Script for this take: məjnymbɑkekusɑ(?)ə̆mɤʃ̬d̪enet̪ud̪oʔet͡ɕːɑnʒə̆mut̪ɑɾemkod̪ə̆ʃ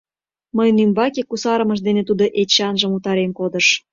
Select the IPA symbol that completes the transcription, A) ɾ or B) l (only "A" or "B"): A